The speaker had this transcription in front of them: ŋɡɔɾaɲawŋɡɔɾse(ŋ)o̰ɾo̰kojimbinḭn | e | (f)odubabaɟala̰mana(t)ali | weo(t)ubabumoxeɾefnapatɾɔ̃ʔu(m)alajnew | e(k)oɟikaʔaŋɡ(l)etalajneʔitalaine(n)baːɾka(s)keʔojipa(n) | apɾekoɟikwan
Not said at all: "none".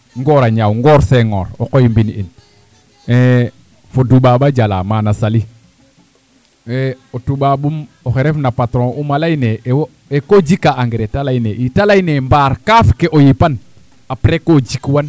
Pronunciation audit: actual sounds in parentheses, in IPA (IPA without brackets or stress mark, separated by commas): ŋ, f, s, t, m, k, ɾ, m, f, n